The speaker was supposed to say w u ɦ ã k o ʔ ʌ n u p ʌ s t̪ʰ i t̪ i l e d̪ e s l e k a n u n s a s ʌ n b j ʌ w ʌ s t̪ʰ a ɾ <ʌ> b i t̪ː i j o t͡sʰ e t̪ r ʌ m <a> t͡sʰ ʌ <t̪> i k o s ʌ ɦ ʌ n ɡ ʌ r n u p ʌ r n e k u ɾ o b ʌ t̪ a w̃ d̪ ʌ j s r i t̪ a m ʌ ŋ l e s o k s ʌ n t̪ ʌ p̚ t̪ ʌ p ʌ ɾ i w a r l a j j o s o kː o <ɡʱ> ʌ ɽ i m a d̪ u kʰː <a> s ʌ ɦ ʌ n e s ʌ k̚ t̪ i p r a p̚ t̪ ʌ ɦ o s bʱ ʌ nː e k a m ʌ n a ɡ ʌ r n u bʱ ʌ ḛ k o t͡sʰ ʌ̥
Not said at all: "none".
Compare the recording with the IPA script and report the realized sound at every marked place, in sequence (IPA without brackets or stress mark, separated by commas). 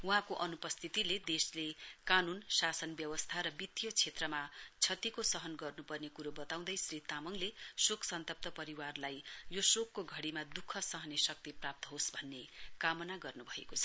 ʌ, a, t̪, ɡʱ, ʌ